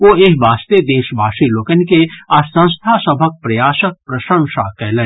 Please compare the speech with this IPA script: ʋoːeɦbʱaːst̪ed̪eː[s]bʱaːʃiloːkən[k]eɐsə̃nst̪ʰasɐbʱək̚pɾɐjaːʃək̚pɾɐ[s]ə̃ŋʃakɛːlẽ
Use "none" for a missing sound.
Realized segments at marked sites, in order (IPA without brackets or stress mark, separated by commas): ʃ, k, ʃ